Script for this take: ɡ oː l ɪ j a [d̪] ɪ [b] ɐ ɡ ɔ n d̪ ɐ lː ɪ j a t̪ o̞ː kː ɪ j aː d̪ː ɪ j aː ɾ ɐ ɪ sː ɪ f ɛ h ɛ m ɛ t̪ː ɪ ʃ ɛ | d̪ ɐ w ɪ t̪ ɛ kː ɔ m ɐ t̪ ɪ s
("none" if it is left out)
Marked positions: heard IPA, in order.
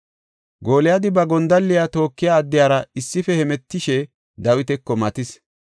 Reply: d̪, b

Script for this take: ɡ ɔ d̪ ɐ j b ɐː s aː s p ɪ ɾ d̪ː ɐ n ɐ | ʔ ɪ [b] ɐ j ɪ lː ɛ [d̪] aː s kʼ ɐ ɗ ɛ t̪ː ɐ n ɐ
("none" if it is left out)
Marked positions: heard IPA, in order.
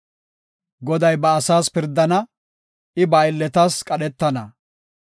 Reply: b, t̪

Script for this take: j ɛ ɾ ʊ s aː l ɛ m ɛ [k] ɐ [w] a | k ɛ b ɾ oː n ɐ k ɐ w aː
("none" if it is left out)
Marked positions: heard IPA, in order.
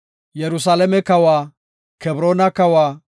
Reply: k, w

